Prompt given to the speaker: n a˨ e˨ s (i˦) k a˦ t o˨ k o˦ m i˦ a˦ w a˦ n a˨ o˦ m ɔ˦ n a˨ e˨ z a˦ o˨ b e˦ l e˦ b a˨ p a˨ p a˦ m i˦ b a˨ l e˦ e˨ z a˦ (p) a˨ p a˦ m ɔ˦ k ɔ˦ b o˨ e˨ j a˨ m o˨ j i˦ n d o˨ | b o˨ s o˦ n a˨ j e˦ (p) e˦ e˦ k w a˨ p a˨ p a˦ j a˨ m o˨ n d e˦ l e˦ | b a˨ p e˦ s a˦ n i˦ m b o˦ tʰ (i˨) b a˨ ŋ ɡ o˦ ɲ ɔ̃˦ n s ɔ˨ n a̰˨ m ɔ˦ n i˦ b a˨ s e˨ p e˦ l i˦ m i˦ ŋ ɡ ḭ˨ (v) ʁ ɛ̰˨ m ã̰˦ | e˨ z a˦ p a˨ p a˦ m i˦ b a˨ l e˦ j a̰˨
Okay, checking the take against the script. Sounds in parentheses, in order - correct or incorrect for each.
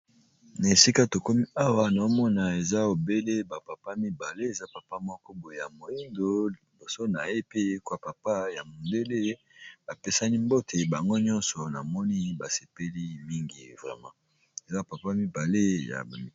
correct, correct, correct, incorrect: e˨, correct

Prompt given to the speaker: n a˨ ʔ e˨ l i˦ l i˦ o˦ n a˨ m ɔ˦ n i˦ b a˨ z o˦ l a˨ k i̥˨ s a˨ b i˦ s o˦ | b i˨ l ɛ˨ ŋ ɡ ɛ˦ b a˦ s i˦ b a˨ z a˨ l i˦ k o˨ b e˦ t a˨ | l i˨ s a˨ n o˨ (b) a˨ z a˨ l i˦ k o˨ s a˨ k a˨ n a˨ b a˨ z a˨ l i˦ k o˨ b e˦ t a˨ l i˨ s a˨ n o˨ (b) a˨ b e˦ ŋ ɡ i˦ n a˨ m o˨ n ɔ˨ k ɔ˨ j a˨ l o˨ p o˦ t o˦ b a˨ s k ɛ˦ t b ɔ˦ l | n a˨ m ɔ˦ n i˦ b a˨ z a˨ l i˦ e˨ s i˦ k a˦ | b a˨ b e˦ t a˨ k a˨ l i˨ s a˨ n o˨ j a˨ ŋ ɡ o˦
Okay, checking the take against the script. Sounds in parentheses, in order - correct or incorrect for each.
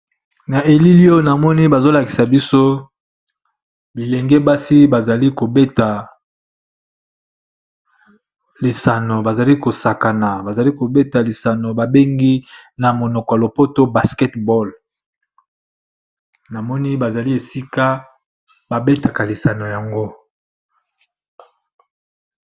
correct, correct

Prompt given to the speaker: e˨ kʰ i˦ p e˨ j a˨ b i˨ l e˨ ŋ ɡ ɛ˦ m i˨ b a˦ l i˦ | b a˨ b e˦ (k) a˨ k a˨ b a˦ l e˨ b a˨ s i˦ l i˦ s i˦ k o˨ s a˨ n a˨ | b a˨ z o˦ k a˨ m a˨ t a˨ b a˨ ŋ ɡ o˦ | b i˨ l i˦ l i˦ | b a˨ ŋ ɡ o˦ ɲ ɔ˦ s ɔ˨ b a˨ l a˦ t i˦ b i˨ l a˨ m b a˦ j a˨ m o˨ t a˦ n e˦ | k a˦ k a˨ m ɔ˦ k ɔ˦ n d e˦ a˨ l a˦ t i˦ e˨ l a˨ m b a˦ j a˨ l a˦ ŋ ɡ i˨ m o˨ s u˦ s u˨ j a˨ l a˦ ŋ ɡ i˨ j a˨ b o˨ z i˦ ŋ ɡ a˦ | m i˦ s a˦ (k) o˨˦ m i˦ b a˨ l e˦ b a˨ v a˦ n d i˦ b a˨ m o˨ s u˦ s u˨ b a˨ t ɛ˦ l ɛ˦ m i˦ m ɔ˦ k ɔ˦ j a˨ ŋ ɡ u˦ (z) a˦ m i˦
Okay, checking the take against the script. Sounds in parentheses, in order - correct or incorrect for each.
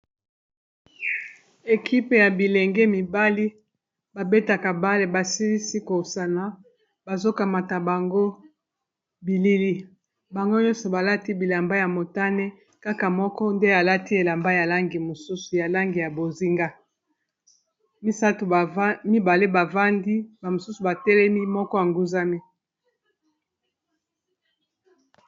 incorrect: t, incorrect: t, correct

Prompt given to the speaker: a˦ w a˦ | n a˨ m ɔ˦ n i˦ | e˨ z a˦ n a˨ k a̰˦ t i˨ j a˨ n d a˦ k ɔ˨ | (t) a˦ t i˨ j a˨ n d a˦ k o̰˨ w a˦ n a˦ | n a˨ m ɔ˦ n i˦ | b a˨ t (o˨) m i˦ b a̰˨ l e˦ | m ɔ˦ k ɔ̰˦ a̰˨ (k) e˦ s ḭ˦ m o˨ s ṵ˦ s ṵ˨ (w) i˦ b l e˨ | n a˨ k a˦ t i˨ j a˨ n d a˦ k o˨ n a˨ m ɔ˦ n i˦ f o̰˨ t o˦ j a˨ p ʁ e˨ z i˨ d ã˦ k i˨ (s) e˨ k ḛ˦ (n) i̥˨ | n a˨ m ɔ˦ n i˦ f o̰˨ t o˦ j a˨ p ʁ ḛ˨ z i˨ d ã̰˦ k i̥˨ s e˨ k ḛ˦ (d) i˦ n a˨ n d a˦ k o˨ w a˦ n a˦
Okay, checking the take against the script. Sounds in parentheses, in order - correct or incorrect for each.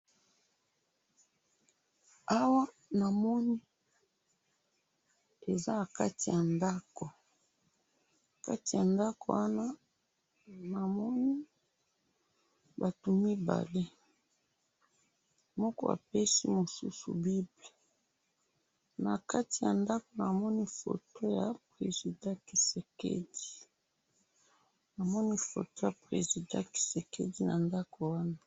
incorrect: k, incorrect: u˨, incorrect: p, incorrect: b, correct, incorrect: d, correct

